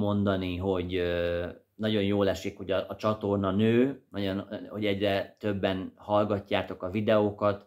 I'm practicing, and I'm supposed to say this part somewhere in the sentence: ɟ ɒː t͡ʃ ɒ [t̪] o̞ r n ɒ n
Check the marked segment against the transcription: correct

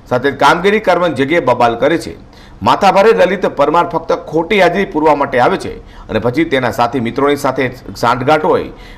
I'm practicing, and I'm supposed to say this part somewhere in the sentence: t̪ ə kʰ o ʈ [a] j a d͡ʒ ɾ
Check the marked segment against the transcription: incorrect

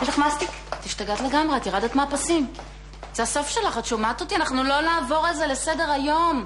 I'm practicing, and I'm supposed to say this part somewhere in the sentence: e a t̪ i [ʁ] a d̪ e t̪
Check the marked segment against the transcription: correct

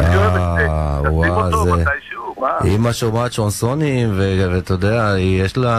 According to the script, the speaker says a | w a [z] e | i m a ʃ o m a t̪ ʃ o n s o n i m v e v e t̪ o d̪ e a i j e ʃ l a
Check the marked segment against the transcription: correct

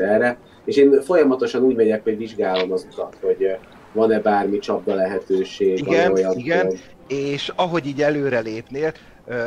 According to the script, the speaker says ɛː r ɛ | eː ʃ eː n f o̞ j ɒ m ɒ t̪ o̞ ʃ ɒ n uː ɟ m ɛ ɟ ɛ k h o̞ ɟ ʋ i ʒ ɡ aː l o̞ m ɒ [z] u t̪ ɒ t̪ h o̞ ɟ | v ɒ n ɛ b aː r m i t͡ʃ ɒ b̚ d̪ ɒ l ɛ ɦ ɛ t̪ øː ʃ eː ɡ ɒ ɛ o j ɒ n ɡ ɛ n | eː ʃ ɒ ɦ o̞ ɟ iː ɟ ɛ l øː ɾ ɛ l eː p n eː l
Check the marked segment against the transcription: correct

